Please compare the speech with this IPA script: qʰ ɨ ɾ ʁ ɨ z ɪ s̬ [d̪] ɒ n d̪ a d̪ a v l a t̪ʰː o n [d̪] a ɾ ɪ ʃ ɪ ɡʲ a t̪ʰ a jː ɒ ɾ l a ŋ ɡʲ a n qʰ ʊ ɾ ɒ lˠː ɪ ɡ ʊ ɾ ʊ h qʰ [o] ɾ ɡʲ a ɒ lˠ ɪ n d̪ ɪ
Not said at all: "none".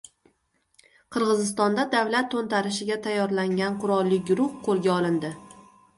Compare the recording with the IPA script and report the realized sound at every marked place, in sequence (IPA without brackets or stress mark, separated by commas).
t̪, t̪, o